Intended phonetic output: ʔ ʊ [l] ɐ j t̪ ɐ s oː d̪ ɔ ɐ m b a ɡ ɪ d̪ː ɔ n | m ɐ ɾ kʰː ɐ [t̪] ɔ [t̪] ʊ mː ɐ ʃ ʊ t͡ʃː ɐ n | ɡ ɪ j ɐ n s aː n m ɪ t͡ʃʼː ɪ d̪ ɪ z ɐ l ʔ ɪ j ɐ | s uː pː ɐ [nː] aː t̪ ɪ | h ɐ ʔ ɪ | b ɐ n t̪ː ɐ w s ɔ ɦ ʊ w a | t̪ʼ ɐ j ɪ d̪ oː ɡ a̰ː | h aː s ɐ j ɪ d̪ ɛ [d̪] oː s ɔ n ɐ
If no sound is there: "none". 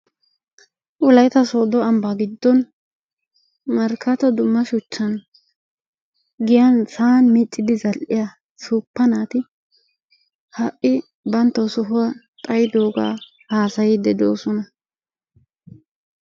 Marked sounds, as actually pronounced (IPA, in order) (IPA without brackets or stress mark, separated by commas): l, t̪, d̪, n, d̪